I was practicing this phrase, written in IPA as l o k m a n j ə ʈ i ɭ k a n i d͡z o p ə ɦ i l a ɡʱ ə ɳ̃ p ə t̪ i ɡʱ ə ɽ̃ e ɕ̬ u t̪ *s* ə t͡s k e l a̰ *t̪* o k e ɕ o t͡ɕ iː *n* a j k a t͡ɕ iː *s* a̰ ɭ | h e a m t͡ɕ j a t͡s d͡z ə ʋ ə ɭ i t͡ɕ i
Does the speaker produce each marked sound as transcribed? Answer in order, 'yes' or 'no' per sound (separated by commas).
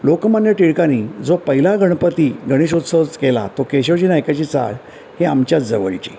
yes, yes, yes, no